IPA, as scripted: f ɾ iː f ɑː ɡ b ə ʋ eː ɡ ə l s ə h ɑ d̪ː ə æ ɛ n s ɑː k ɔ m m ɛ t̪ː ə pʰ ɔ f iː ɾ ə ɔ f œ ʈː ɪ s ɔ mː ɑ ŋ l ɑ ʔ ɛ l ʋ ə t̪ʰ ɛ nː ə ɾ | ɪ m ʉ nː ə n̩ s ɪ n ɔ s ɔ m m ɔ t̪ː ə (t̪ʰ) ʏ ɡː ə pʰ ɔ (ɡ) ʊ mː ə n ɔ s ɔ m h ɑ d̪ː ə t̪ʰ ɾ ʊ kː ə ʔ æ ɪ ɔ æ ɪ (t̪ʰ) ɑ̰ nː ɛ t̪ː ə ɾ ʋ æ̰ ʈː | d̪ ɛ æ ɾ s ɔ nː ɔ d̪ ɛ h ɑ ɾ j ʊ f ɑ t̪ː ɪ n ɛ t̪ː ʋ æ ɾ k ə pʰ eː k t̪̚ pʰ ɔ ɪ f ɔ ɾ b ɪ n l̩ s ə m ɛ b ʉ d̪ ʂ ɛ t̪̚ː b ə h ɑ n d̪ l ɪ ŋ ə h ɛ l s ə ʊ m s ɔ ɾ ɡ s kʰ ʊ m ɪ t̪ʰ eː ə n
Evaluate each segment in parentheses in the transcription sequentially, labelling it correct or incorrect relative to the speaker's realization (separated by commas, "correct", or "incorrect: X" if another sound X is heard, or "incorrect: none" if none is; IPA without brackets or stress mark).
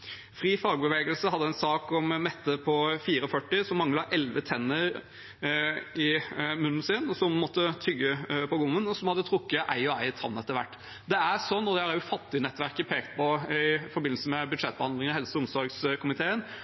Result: correct, correct, correct